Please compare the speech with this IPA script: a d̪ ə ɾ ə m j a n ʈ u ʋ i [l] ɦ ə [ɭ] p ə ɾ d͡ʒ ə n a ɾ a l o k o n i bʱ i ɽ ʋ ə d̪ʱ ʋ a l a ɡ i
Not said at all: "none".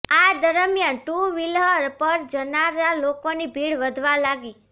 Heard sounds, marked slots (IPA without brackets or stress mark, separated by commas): l, ɾ